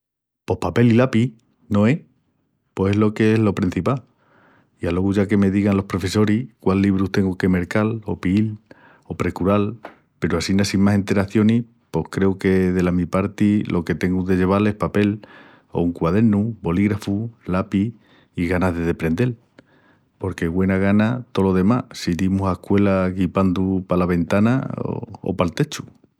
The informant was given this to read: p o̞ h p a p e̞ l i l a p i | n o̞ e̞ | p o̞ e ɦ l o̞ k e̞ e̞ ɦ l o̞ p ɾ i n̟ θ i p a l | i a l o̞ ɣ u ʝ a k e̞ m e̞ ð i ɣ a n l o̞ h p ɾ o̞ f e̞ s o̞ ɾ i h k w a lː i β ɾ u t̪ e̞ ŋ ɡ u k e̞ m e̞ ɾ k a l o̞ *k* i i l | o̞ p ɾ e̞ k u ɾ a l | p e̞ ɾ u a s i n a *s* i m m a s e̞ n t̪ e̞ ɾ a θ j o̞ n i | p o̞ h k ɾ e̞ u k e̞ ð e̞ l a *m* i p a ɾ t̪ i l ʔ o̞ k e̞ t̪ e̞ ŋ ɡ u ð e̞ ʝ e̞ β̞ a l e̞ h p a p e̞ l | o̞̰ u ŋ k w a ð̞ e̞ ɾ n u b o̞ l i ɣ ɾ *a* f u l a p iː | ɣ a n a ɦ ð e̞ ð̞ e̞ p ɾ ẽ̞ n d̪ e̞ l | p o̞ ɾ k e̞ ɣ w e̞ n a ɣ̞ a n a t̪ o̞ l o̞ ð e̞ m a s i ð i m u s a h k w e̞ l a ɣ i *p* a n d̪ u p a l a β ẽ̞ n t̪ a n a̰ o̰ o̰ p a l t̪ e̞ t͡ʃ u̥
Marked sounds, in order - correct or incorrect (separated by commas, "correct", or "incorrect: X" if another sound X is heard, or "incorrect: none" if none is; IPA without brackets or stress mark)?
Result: incorrect: p, correct, correct, correct, correct